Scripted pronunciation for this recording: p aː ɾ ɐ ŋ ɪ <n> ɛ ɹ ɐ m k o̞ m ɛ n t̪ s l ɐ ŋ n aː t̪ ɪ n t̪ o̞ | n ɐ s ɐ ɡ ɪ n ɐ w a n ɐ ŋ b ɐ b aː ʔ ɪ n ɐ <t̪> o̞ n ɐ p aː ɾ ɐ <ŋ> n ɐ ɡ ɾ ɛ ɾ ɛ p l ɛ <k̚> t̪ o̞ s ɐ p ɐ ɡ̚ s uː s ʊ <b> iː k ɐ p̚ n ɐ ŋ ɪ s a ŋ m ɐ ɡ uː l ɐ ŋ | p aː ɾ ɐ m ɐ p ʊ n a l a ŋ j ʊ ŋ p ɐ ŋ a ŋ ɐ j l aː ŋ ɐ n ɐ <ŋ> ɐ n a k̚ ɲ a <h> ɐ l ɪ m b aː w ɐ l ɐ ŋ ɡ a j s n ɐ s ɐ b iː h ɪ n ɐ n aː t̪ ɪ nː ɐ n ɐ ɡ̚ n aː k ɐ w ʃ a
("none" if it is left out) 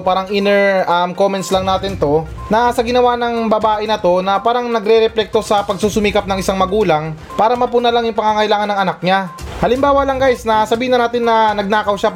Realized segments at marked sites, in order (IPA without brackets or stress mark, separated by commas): n, t̪, ŋ, k̚, m, ŋ, h